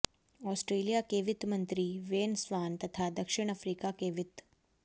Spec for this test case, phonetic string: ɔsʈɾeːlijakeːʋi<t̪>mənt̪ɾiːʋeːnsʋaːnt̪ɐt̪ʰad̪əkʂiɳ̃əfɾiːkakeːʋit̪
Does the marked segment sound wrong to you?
no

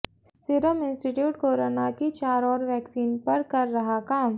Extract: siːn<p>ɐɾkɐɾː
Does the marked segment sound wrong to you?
no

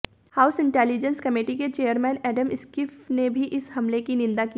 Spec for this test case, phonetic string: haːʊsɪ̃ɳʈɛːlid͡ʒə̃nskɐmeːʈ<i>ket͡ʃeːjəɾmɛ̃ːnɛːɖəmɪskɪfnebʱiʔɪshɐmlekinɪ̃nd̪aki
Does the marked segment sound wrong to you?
no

